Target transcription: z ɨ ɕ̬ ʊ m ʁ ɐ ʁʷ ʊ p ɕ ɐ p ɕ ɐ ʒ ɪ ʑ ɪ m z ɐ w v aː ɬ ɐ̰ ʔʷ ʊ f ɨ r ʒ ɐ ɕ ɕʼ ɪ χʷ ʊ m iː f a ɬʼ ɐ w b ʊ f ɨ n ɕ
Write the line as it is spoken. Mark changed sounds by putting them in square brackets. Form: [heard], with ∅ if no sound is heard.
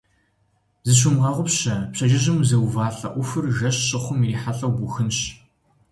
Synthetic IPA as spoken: z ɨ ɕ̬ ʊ m ʁ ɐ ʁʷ ʊ p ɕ ɐ p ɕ ɐ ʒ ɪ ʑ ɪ m z ɐ w v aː ɬ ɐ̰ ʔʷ ʊ f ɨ r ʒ ɐ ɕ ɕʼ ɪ χʷ ʊ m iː [ħ] a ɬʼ ɐ w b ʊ [x] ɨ n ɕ